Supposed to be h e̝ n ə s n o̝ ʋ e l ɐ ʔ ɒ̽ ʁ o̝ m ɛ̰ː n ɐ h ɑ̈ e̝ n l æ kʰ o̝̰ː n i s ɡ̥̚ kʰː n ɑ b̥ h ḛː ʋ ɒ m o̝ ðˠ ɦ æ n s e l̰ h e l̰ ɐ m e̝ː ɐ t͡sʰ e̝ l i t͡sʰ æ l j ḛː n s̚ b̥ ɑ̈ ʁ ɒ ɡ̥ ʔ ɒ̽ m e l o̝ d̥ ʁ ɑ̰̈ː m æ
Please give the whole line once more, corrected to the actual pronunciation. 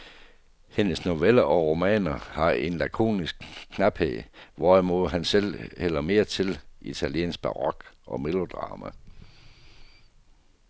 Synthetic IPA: h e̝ n ə s n o̝ ʋ e l ɐ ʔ ɒ̽ ʁ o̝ m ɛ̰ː n ɐ h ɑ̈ e̝ n l æ kʰ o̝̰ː n i s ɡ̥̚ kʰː n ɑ b̥ h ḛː ʋ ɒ m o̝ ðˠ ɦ æ n s e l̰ h e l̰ ɐ m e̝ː ɐ t͡sʰ e̝ l i t͡sʰ æ l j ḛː n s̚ b̥ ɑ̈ ʁ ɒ ɡ̥ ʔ ɒ̽ m e l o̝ d̥ ʁ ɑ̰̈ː m æ